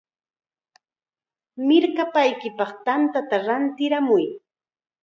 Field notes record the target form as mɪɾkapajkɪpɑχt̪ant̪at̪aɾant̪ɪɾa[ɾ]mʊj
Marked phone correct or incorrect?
incorrect: none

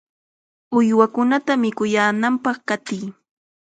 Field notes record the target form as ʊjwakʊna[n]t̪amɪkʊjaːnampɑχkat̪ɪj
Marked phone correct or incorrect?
incorrect: none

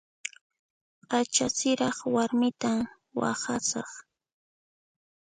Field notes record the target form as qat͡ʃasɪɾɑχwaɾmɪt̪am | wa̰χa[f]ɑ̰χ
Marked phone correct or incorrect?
incorrect: s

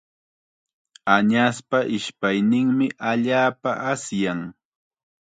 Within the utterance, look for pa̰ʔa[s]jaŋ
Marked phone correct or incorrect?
correct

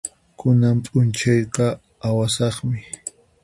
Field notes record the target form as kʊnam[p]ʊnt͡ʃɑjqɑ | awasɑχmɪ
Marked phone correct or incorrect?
incorrect: pʼ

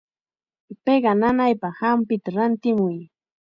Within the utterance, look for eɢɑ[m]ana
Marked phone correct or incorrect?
incorrect: n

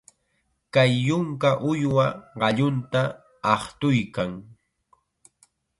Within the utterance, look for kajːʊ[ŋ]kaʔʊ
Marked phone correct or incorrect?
correct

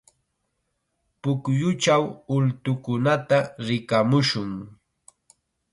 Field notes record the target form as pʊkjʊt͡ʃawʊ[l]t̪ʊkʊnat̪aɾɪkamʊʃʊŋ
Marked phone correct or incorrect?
correct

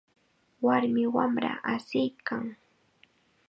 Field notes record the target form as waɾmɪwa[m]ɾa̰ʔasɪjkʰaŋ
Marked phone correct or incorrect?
correct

